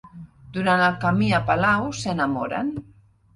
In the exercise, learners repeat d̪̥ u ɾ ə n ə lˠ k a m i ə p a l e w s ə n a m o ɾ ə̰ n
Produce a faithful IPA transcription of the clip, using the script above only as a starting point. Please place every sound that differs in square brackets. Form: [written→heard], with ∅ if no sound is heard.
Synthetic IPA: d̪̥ u ɾ [ə→a] n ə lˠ k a m i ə p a l [e→a] w s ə n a m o ɾ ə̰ n

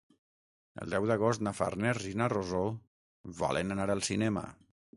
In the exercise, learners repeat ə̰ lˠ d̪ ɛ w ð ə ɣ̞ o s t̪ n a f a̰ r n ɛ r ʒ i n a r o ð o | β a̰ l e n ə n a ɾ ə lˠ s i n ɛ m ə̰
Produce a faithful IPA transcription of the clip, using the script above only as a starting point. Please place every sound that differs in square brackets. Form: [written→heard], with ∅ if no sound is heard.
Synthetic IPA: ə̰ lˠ d̪ ɛ w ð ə ɣ̞ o s t̪ n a f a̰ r n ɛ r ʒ i n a r o [ð→z] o | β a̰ l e n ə n a ɾ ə lˠ s i n ɛ m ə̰

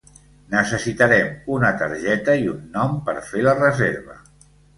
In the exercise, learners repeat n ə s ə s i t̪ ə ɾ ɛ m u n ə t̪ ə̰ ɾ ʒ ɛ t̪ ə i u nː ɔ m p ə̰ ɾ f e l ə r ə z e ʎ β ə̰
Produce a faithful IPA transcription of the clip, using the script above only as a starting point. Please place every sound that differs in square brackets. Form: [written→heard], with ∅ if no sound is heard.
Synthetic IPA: n ə s ə s i t̪ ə ɾ ɛ m u n ə t̪ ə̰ ɾ ʒ ɛ t̪ ə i u nː ɔ m p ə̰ ɾ f e l ə r ə z e [ʎ→ɾ] β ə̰

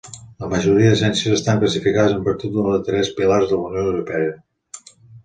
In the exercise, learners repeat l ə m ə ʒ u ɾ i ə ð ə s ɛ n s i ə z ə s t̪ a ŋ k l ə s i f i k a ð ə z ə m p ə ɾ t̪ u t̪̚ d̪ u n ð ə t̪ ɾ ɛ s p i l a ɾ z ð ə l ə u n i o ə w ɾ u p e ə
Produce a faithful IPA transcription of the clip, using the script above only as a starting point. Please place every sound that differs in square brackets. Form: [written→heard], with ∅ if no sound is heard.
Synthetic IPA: l ə m ə ʒ u ɾ i ə ð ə s ɛ n s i ə z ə s t̪ a ŋ k l ə s i f i k a ð ə z ə m p ə ɾ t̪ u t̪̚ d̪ u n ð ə t̪ ɾ ɛ s p i l a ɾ z ð ə l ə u n i o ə w ɾ u p [e→ɛ] ə

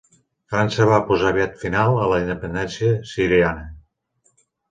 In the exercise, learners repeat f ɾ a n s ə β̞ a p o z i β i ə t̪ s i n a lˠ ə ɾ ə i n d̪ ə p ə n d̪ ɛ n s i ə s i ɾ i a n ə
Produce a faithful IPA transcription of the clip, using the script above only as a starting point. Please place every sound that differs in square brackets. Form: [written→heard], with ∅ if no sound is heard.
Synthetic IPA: f ɾ a n s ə β̞ a p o z [i→a] β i [ə→a] t̪ [s→f] i n a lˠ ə [ɾ→l] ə i n d̪ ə p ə n d̪ ɛ n s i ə s i ɾ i a n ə

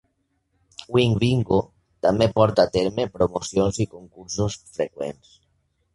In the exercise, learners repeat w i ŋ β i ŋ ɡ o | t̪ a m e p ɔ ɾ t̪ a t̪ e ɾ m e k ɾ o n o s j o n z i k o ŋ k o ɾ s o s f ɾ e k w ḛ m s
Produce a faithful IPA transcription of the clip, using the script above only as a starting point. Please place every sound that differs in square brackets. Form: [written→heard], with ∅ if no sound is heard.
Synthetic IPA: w i ŋ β i ŋ ɡ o | t̪ a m e p ɔ ɾ t̪ a t̪ e ɾ m e [k→p] ɾ o [n→m] o s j o n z i k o ŋ k [o→u] ɾ s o s f ɾ e k w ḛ [m→n] s

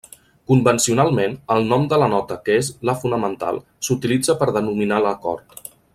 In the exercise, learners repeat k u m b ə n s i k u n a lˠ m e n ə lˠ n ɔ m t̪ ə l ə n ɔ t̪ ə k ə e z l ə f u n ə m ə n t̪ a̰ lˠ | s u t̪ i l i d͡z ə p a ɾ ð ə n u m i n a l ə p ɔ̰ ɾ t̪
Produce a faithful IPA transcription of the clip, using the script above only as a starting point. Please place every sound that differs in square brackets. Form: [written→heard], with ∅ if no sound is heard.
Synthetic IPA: k u m b ə n s i [k→∅] u n a lˠ m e n ə lˠ n ɔ m [t̪→d̪] ə l ə n ɔ t̪ ə k ə e z l ə f u n ə m ə n t̪ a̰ lˠ | s u t̪ i l i d͡z ə p [a→ə] ɾ ð ə n u m i n a l ə [p→k] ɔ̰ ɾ t̪

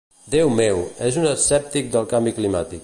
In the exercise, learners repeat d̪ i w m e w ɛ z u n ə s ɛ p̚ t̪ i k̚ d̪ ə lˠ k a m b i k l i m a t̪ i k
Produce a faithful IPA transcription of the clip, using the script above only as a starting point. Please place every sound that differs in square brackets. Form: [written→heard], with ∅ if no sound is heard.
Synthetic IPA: d̪ [i→e] w m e w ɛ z u n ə s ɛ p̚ t̪ i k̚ d̪ ə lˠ k a m b i k l i m a t̪ i k

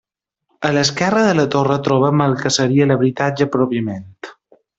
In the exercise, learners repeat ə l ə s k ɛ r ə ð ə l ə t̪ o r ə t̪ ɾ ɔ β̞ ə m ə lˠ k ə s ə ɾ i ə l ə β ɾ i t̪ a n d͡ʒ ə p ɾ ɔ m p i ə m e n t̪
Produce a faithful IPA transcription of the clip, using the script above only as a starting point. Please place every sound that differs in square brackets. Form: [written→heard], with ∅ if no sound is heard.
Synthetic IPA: ə l ə s k ɛ r ə ð ə l ə t̪ o r ə t̪ ɾ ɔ β̞ ə m ə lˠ k ə s ə ɾ i ə l ə β ɾ i t̪ a [n→∅] d͡ʒ ə p ɾ ɔ [m→∅] p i ə m e n t̪

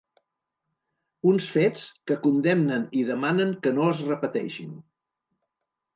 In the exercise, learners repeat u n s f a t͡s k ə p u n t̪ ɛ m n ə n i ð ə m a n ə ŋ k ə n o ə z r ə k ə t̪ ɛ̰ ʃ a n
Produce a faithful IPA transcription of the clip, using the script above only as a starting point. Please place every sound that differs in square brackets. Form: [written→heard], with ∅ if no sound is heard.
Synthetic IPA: u n s f [a→e] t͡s k ə [p→k] u n [t̪→d̪] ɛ m n ə n i ð ə m a n ə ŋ k ə n o ə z r ə [k→p] ə t̪ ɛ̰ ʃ [a→i] n

